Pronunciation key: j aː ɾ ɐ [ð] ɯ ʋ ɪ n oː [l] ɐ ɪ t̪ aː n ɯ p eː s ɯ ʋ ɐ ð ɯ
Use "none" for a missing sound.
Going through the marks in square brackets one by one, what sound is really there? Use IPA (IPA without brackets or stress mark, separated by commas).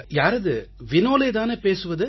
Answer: ð, l